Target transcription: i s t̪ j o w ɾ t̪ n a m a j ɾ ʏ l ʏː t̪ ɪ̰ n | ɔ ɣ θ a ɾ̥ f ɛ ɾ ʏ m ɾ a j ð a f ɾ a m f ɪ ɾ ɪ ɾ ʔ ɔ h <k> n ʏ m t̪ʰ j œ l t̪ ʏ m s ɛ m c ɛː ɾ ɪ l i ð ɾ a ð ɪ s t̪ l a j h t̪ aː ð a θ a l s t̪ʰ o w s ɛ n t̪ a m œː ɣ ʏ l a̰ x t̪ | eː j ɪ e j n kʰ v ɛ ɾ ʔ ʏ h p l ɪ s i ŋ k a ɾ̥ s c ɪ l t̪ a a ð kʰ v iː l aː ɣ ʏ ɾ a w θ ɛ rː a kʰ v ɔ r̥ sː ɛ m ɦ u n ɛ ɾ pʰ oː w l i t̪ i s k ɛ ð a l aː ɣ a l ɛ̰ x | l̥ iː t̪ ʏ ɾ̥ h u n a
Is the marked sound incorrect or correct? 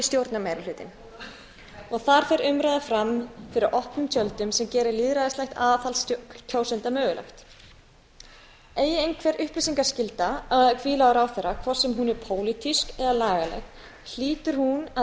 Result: incorrect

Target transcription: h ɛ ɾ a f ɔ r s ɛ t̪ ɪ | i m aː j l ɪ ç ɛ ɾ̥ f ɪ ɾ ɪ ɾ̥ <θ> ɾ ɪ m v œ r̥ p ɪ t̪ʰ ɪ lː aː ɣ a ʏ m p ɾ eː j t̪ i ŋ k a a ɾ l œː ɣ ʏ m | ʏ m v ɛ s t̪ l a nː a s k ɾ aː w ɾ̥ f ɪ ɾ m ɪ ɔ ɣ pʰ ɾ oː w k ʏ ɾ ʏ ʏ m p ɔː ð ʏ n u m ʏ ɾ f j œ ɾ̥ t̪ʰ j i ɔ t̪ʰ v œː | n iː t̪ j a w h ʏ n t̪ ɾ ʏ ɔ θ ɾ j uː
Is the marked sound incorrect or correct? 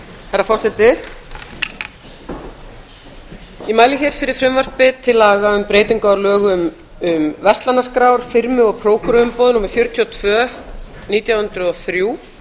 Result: incorrect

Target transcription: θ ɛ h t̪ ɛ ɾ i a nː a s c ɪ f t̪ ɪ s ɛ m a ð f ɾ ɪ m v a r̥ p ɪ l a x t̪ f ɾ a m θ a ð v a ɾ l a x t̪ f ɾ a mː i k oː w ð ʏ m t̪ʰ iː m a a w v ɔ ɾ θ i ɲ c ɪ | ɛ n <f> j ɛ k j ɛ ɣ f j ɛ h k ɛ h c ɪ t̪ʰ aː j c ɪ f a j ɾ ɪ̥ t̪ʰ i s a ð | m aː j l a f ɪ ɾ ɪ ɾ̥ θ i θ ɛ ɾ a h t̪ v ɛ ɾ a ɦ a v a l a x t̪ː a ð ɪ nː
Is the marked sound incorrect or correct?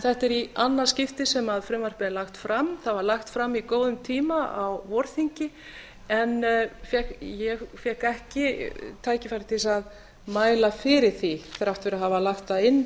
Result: correct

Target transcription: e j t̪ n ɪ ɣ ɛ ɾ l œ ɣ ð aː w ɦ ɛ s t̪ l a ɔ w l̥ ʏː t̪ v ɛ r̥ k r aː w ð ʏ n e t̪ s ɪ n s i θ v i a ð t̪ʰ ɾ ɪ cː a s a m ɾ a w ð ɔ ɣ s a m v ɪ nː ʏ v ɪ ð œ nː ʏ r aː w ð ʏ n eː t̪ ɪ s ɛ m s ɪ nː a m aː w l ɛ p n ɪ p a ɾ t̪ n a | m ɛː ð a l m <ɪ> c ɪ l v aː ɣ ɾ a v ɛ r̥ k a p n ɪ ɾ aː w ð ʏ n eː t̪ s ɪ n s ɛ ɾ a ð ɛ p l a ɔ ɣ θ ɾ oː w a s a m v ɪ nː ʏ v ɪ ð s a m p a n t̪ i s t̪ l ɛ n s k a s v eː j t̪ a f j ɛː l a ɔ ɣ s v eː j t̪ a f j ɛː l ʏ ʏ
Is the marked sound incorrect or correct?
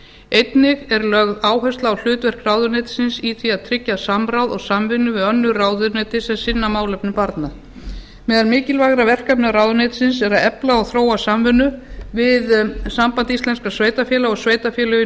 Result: incorrect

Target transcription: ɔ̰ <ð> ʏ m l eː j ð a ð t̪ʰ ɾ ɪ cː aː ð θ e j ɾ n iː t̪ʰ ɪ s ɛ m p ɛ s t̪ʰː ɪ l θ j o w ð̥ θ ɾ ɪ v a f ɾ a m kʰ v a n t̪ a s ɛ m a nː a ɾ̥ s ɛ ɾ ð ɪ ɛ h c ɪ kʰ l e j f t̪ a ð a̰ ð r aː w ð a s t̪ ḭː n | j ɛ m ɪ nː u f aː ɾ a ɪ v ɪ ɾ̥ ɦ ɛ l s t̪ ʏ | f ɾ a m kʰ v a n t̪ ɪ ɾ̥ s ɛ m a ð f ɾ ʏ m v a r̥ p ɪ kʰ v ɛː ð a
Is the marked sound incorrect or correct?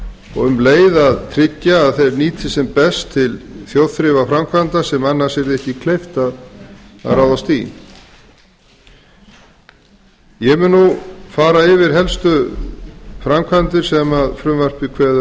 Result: incorrect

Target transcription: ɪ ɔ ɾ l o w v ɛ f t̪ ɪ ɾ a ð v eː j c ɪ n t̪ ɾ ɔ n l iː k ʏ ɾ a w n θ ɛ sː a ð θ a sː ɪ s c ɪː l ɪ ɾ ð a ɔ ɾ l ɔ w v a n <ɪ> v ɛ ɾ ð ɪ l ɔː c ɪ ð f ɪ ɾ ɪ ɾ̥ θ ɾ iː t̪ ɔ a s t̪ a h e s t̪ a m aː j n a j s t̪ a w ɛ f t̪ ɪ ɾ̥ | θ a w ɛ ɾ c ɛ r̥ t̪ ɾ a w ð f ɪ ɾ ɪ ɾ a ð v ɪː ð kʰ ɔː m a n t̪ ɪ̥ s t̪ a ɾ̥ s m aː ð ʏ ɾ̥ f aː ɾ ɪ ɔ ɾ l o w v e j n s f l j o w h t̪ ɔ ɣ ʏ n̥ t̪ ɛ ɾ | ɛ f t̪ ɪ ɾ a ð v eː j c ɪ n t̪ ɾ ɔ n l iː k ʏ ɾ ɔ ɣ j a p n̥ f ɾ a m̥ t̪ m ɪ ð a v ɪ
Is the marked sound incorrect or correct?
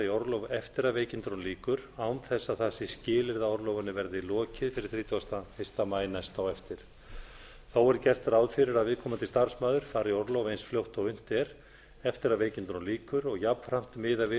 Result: correct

